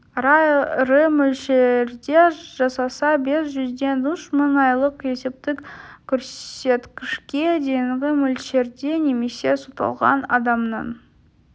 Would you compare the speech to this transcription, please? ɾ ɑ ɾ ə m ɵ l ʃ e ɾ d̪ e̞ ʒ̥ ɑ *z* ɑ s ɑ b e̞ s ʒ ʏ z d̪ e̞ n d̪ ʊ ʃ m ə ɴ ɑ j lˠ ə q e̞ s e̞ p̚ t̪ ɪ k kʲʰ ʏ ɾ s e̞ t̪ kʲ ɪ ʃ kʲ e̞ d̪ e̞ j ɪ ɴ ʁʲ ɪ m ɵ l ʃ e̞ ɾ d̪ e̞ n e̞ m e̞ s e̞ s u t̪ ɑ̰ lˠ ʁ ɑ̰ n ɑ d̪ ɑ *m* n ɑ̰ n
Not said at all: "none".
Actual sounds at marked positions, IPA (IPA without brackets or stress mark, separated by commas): s, m